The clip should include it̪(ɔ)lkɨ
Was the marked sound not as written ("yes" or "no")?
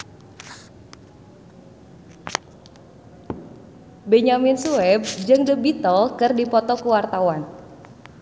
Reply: no